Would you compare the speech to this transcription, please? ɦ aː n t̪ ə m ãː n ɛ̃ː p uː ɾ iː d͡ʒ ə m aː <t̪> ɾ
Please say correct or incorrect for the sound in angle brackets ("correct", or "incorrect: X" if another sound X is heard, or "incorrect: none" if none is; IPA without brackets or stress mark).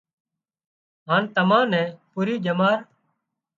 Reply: incorrect: none